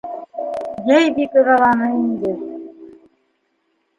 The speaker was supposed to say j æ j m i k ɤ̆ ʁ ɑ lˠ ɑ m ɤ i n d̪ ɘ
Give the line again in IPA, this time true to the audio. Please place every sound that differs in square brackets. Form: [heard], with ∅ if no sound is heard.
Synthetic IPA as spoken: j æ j [b] i k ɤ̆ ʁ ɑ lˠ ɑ [n] ɤ i n d̪ ɘ